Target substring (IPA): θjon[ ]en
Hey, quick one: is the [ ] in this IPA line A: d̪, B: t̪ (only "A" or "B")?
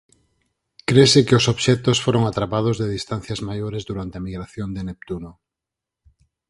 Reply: A